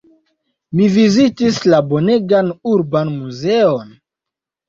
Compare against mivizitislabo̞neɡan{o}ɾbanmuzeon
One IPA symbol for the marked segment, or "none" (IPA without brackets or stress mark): u